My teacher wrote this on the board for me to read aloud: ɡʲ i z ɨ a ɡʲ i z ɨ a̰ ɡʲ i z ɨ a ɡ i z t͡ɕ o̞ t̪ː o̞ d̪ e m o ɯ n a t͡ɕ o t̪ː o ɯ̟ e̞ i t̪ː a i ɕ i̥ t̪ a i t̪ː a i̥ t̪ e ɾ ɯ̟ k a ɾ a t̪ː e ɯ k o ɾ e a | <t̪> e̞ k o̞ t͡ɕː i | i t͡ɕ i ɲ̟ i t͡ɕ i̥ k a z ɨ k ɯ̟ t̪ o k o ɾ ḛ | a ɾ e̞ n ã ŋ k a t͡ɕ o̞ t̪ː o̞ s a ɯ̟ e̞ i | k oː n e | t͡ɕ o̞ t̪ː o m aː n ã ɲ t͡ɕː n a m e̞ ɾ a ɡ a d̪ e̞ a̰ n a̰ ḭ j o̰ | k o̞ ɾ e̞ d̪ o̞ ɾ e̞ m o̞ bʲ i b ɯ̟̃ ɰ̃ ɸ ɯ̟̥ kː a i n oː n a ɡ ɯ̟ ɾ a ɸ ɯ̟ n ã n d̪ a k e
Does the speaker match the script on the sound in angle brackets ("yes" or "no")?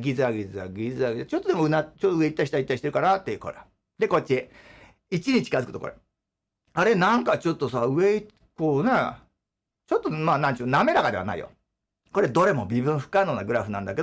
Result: no